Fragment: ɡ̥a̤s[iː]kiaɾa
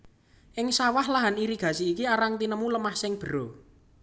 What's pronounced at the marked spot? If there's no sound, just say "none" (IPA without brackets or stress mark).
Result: iː